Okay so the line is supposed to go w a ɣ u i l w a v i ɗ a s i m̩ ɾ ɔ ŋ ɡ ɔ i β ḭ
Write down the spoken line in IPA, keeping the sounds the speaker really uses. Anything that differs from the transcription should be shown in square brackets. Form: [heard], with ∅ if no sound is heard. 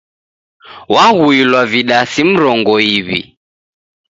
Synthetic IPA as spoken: w a ɣ u i l w a v i ɗ a s i m̩ ɾ ɔ ŋ ɡ ɔ i β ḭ